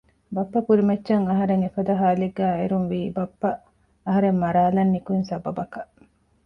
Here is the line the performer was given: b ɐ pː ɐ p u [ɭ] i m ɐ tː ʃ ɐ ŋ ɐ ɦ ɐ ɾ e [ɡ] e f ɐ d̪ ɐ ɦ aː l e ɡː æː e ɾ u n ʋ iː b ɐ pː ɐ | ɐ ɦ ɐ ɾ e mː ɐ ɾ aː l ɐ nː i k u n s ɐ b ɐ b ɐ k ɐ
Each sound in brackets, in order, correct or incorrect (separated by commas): incorrect, incorrect